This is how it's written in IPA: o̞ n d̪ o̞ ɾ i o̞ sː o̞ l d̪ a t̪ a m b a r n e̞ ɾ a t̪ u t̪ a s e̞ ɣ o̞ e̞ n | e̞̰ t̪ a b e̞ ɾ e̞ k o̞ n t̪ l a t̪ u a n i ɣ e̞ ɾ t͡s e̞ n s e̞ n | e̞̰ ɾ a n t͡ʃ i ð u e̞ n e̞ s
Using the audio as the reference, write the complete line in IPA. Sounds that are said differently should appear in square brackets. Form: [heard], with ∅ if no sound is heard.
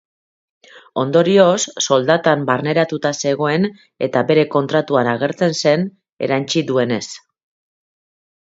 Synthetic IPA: o̞ n d̪ o̞ ɾ i o̞ sː o̞ l d̪ a t̪ a m b a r n e̞ ɾ a t̪ u t̪ a s e̞ ɣ o̞ e̞ n | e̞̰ t̪ a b e̞ ɾ e̞ k o̞ n t̪ [ɾ] a t̪ u a n [a] ɣ e̞ ɾ t͡s e̞ n s e̞ n | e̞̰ ɾ a n t͡ʃ i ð u e̞ n e̞ s

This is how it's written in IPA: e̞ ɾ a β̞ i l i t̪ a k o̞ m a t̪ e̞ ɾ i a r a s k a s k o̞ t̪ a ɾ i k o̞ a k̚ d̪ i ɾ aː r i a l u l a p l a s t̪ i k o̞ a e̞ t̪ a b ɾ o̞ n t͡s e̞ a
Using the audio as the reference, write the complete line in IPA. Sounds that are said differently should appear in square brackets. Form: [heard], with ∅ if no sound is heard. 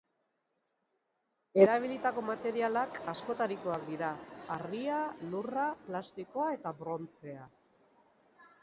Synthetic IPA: e̞ ɾ a β̞ i l i t̪ a k o̞ m a t̪ e̞ ɾ i a [l] a [∅] k a s k o̞ t̪ a ɾ i k o̞ a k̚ d̪ i ɾ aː r i a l u [r] a p l a s t̪ i k o̞ a e̞ t̪ a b ɾ o̞ n t͡s e̞ a

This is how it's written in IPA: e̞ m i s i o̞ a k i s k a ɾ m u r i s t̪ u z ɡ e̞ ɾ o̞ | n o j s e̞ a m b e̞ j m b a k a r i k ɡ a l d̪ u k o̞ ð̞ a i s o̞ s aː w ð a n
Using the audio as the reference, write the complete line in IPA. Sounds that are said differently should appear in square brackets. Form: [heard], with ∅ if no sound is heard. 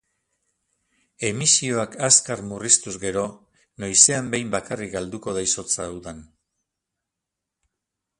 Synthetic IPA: e̞ m i s i o̞ a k [a] s k a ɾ m u r i s t̪ u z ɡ e̞ ɾ o̞ | n o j s e̞ a m b e̞ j m b a k a r i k ɡ a l d̪ u k o̞ ð̞ a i s o̞ [t͡s] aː w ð a n

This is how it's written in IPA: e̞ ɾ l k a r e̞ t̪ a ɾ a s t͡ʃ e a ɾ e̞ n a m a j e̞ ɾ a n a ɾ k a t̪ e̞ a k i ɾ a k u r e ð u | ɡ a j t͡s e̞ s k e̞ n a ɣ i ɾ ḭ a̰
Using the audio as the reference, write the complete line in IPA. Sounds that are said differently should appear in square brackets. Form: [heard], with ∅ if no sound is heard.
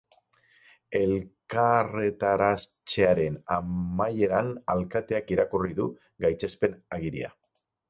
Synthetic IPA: e̞ [∅] l k a r e̞ t̪ a ɾ a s t͡ʃ e a ɾ e̞ n a m a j e̞ ɾ a n a [l] k a t̪ e̞ a k i ɾ a k u r [i] ð u | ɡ a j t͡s e̞ s [p] e̞ n a ɣ i ɾ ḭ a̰

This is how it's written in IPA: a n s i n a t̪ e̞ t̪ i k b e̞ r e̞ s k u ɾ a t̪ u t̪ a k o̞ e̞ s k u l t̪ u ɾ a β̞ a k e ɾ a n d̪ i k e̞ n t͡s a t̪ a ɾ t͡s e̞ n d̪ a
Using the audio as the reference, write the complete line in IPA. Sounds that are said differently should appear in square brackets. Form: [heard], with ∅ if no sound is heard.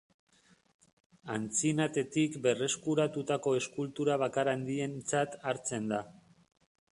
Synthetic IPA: a n [t͡s] i n a t̪ e̞ t̪ i k b e̞ r e̞ s k u ɾ a t̪ u t̪ a k o̞ e̞ s k u l t̪ u ɾ a β̞ a k [a] ɾ a n d̪ i [∅] e̞ n t͡s a t̪ a ɾ t͡s e̞ n d̪ a

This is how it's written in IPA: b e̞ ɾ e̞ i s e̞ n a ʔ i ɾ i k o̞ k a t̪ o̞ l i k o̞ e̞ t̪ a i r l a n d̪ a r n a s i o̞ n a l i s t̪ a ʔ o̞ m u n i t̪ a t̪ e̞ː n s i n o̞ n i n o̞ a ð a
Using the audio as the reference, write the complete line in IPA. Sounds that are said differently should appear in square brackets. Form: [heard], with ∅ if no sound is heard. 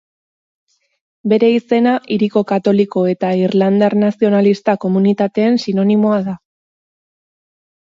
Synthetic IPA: b e̞ ɾ e̞ i s e̞ n a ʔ i ɾ i k o̞ k a t̪ o̞ l i k o̞ e̞ t̪ a i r l a n d̪ a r n a s i o̞ n a l i s t̪ a [k] o̞ m u n i t̪ a t̪ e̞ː n s i n o̞ n i [m] o̞ a ð a

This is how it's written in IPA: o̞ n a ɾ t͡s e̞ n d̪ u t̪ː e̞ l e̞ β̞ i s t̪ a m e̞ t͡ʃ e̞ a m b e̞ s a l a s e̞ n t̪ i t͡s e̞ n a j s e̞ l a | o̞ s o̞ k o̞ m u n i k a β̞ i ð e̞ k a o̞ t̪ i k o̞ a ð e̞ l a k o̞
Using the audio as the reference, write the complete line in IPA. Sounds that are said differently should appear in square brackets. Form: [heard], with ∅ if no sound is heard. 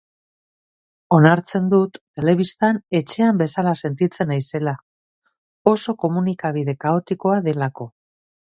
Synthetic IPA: o̞ n a ɾ t͡s e̞ n d̪ u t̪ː e̞ l e̞ β̞ i s t̪ a [n] e̞ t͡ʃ e̞ a m b e̞ s a l a s e̞ n t̪ i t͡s e̞ n a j s e̞ l a | o̞ s o̞ k o̞ m u n i k a β̞ i ð e̞ k a o̞ t̪ i k o̞ a ð e̞ l a k o̞

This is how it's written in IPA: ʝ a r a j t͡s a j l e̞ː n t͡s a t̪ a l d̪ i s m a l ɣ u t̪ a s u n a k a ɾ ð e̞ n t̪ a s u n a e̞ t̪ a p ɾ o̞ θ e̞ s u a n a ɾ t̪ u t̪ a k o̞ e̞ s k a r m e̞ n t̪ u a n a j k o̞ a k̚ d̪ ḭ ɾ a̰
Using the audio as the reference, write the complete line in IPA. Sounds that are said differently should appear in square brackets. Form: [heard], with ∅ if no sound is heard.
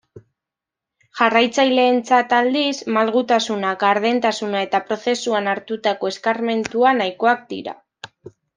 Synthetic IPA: ʝ a r a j t͡s a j l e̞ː n t͡s a t̪ a l d̪ i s m a l ɣ u t̪ a s u n a k a ɾ ð e̞ n t̪ a s u n a e̞ t̪ a p ɾ o̞ θ e̞ s u a n a ɾ t̪ u t̪ a k o̞ e̞ s k a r m e̞ n t̪ u a n a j k o̞ a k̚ d̪ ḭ ɾ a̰

